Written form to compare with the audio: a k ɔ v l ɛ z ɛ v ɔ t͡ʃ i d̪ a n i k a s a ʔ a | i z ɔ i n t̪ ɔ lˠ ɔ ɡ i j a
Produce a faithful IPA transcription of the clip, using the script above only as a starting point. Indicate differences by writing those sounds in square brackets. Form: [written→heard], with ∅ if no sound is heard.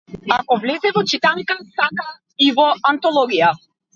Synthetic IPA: a k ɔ v l ɛ z ɛ v ɔ t͡ʃ i [d̪→t̪] a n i k a s a [ʔ→k] a | i [z→v] ɔ [i→a] n t̪ ɔ lˠ ɔ ɡ i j a

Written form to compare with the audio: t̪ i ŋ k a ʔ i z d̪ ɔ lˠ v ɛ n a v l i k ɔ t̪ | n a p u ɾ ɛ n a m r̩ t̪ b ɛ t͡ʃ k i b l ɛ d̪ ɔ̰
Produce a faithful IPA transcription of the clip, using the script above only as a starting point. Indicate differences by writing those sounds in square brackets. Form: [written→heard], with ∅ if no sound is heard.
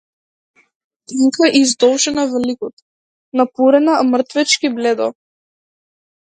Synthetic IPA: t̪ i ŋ k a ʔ i z d̪ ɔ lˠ [v→ʒ] ɛ n a v l i k ɔ t̪ | n a p u ɾ ɛ n a m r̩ t̪ [b→v] ɛ t͡ʃ k i b l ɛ d̪ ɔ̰

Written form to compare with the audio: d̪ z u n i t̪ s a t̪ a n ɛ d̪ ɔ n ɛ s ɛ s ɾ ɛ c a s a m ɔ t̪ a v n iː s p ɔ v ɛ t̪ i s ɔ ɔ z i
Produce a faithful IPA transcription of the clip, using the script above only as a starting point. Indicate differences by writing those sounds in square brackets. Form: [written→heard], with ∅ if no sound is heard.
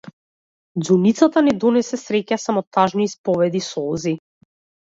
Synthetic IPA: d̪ z u n i t̪ s a t̪ a n ɛ d̪ ɔ n ɛ s ɛ s ɾ ɛ c a s a m ɔ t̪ a [v→ʒ] n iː s p ɔ v ɛ [t̪→d̪] i s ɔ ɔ z i

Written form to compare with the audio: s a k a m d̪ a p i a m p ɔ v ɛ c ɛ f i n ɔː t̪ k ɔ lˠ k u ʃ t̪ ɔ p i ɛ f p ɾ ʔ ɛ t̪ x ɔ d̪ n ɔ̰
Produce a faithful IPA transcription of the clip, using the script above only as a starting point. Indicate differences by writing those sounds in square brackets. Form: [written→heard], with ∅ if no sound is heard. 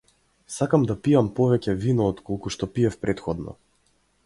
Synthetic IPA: s a k a m d̪ a p i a m p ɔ v ɛ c ɛ [f→v] i n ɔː t̪ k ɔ lˠ k u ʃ t̪ ɔ p i ɛ f p ɾ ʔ ɛ t̪ x ɔ d̪ n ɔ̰

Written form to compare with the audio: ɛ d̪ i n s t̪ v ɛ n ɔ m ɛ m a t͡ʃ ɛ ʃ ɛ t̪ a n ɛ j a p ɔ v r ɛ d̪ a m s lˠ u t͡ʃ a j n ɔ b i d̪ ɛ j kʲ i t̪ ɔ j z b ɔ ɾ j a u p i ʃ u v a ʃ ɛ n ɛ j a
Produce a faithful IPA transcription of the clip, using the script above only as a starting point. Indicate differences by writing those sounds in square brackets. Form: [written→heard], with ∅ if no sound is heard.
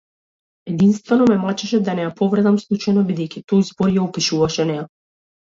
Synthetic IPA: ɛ d̪ i n s t̪ v ɛ n ɔ m ɛ m a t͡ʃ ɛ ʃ ɛ [t̪→d̪] a n ɛ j a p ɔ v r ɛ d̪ a m s lˠ u t͡ʃ a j n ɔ b i d̪ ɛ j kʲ i t̪ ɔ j z b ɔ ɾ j a u p i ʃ u v a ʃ ɛ n ɛ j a

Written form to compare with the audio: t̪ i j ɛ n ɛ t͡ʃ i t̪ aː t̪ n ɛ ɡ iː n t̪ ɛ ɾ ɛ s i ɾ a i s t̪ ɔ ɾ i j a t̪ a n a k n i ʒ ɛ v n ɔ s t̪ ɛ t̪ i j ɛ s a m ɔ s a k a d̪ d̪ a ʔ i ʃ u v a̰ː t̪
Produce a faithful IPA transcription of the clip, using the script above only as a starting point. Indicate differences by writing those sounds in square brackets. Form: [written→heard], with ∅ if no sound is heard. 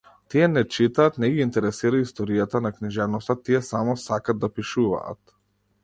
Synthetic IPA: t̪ i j ɛ n ɛ t͡ʃ i t̪ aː t̪ n ɛ ɡ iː n t̪ ɛ ɾ ɛ s i ɾ a i s t̪ ɔ ɾ i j a t̪ a n a k n i ʒ ɛ v n ɔ s t̪ [ɛ→a] t̪ i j ɛ s a m ɔ s a k a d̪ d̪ a [ʔ→p] i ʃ u v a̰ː t̪

